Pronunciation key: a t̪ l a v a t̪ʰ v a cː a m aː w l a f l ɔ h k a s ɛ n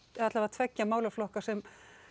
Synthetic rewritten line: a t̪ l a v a t̪ʰ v ɛ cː a m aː w l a f l ɔ h k a s ɛ m